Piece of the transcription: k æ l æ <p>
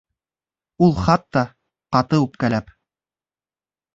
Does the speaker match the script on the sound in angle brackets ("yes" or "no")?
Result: yes